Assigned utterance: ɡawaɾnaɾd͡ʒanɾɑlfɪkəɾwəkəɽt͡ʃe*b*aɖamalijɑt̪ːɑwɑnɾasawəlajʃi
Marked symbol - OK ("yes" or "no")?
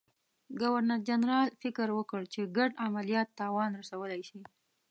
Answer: no